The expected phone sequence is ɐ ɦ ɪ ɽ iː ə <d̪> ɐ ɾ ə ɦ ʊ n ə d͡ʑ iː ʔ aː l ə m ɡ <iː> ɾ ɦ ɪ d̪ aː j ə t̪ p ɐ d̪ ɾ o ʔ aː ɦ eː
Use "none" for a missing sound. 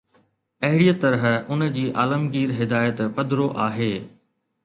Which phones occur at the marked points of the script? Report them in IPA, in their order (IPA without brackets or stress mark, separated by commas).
t̪, iː